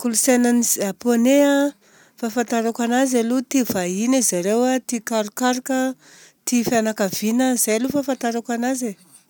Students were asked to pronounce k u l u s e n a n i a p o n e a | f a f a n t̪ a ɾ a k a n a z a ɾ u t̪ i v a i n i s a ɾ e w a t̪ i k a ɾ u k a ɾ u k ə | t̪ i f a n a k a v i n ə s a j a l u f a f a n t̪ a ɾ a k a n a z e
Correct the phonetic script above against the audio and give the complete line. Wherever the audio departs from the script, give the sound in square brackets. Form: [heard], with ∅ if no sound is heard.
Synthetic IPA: k u l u s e n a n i a p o n e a | f a f a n t̪ a ɾ a k a n a z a [l] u t̪ i v a i n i [z] a ɾ e w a t̪ i k a ɾ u k a ɾ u k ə | t̪ i f a n a k a v i n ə [z] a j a l u f a f a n t̪ a ɾ a k a n a z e